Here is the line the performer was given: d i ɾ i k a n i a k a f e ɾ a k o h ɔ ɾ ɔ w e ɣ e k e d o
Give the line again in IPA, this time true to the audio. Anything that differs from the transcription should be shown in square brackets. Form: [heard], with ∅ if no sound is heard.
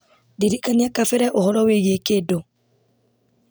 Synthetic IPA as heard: d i ɾ i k a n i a k a f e ɾ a [ʔ] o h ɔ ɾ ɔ w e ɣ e k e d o